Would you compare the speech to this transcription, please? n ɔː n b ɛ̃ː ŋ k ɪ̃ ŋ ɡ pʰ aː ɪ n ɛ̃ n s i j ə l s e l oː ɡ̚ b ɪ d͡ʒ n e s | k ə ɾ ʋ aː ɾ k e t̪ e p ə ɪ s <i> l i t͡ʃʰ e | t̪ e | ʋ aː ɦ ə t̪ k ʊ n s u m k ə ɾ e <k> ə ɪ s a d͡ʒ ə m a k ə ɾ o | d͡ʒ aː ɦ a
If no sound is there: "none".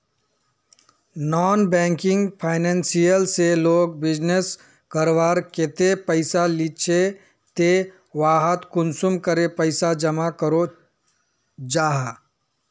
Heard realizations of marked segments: a, p

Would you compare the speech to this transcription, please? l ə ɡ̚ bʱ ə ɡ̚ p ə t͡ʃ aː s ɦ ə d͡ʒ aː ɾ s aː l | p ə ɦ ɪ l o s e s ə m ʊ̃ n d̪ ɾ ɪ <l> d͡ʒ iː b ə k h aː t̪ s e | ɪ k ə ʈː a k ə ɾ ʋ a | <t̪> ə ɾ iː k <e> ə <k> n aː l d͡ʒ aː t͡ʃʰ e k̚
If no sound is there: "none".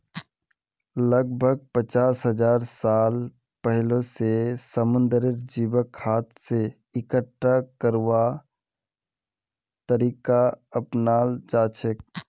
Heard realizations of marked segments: ɾ, t̪, a, p

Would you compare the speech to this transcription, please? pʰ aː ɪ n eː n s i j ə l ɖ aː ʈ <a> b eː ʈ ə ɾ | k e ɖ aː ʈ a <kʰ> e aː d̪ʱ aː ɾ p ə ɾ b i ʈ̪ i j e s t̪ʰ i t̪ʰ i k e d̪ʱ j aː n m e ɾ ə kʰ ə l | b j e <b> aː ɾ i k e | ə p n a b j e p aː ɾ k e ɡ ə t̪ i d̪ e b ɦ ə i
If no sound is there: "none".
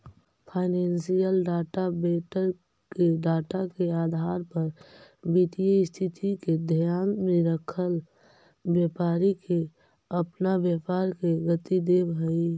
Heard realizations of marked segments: a, k, p

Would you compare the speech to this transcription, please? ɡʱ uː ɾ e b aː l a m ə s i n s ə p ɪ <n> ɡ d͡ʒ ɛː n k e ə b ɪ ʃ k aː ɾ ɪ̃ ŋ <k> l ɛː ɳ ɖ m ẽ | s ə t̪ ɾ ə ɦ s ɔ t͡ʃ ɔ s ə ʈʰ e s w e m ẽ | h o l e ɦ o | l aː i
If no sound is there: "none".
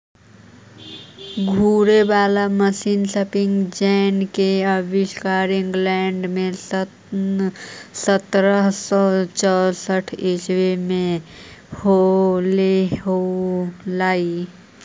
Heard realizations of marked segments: ŋ, ɡ

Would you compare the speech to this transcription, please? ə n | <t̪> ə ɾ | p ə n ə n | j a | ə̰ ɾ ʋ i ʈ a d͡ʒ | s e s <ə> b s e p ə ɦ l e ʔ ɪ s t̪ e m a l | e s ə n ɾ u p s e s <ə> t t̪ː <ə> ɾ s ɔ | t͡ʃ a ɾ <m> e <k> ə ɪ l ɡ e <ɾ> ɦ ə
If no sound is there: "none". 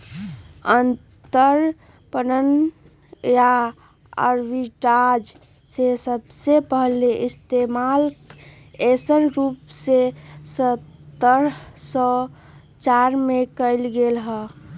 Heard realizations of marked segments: t̪, ə, ə, ə, m, k, l

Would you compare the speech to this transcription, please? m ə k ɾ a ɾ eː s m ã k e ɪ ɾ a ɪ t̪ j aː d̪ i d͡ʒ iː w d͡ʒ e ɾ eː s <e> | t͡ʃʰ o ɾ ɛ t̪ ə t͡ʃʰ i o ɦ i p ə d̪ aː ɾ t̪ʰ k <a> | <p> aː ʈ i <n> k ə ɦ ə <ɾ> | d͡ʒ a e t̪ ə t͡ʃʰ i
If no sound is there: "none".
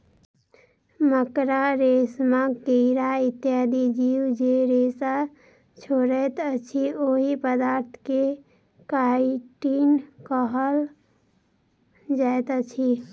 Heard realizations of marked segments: a, e, k, n, l

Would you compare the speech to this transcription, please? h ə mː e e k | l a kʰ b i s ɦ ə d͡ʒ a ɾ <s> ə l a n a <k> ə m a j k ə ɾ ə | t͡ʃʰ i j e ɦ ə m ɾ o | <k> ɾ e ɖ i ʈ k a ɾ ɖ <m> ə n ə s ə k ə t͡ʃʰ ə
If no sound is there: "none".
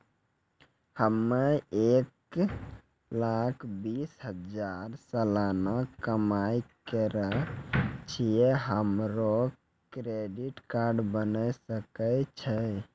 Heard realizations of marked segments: s, k, k, b

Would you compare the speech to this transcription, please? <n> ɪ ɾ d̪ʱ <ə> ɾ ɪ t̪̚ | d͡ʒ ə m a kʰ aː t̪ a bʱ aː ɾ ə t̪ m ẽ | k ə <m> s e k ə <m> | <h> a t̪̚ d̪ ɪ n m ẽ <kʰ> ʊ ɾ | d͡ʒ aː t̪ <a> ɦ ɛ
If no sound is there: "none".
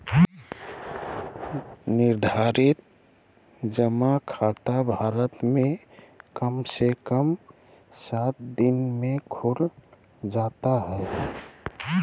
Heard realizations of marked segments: n, a, m, m, s, kʰ, a

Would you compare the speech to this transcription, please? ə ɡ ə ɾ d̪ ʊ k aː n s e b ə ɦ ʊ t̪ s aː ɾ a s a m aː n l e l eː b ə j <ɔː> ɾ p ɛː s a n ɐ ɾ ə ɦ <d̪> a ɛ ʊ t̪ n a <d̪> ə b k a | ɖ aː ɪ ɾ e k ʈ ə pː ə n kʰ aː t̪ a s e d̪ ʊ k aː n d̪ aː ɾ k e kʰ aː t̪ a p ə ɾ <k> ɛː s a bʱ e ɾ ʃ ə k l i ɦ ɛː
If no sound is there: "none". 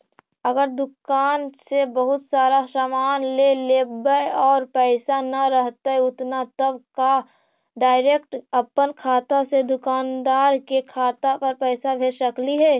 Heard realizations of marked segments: ɔː, t̪, t̪, p

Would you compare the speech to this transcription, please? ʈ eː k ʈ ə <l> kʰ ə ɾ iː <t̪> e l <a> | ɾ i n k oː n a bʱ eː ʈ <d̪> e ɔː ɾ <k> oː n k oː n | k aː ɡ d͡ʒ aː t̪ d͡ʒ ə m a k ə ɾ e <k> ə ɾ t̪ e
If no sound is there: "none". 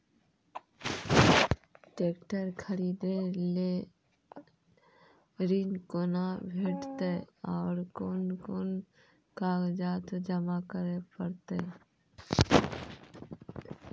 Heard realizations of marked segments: ɾ, d̪, e, t̪, k, p

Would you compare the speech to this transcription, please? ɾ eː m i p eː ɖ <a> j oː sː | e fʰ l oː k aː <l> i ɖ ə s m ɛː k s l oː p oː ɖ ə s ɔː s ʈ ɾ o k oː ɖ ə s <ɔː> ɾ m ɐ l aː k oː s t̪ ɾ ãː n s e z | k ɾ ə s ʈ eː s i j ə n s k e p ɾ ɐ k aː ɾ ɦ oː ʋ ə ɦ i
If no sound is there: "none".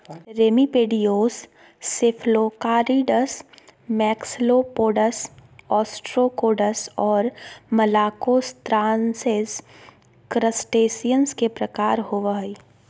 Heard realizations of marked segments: i, ɾ, ɔː

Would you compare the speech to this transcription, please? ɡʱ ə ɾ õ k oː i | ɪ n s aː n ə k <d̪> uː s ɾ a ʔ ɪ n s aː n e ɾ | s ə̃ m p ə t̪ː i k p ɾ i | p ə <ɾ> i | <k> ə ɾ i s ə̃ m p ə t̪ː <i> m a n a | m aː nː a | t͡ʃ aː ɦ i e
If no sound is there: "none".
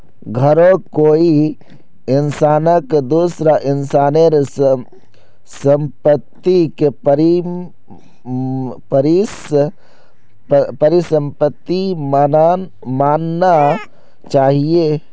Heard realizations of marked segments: d̪, ɾ, p, i

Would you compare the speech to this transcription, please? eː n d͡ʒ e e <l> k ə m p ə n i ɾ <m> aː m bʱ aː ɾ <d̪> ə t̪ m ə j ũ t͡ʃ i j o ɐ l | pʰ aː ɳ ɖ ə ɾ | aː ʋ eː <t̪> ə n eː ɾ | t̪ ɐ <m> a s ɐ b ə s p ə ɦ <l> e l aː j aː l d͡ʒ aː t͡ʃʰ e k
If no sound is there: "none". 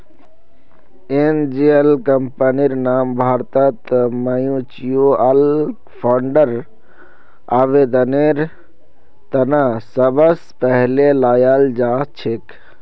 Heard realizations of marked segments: l, n, t̪, d̪, n, l

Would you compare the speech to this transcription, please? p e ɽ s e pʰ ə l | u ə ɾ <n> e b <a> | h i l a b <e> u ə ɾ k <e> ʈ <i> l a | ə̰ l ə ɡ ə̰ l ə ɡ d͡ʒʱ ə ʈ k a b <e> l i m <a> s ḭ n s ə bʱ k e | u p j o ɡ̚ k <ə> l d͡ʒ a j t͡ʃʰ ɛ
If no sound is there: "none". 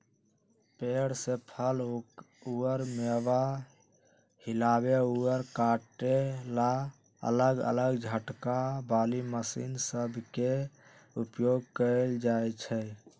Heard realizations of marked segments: m, a, e, a, e, a, ə, ə

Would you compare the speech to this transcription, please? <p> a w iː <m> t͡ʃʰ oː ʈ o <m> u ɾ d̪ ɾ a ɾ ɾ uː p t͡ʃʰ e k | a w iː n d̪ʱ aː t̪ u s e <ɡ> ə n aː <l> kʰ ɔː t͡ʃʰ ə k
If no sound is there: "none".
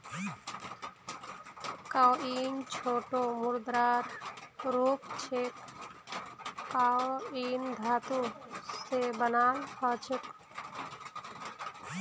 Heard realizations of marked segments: k, n, m, b, l

